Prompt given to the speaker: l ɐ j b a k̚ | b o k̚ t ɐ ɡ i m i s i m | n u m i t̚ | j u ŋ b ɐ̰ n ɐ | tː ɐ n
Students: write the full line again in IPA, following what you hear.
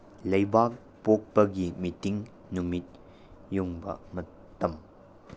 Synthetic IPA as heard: l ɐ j b a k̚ | p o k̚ p ɐ ɡ i m i t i ŋ | n u m i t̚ | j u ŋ b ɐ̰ m ɐ | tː ɐ m